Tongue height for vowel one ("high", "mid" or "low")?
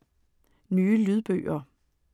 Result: high